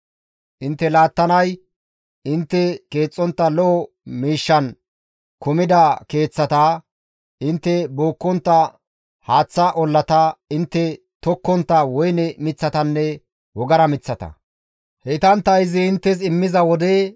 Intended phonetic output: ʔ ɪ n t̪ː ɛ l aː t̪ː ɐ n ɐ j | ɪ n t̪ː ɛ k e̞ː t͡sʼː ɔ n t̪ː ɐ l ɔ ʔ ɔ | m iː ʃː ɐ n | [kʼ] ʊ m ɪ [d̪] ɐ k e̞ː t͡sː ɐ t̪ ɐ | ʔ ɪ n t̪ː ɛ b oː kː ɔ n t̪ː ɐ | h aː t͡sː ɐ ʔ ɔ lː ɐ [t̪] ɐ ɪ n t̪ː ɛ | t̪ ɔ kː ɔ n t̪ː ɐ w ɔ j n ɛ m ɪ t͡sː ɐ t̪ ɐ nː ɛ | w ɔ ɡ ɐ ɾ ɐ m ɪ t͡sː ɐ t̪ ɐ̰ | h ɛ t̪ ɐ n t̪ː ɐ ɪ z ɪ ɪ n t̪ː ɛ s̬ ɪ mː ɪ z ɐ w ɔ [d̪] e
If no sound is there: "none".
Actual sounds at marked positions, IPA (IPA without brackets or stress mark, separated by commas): k, d̪, t̪, d̪